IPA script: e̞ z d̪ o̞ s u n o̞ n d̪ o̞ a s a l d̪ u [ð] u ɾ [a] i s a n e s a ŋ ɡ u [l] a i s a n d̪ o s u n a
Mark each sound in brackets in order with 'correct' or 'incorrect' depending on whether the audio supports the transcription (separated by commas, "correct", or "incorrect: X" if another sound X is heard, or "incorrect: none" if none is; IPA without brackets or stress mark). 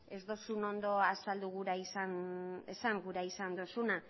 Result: incorrect: ɣ, correct, incorrect: ɾ